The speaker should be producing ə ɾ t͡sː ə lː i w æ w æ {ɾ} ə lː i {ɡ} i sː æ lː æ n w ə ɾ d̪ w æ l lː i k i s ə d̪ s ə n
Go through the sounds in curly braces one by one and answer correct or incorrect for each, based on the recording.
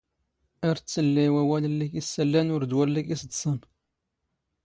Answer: incorrect: l, incorrect: k

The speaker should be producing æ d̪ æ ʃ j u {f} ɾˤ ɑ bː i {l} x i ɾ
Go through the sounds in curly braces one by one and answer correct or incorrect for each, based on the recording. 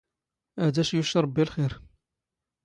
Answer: incorrect: ʃ, correct

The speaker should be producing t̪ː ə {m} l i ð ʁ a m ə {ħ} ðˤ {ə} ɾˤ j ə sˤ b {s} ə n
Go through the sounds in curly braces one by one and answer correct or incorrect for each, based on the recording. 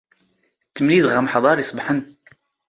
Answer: correct, correct, incorrect: ɑ, incorrect: ħ

